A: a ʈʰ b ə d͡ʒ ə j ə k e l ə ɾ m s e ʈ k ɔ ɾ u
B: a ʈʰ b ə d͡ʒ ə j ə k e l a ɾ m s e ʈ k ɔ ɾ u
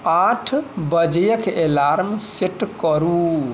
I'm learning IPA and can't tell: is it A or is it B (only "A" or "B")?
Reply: B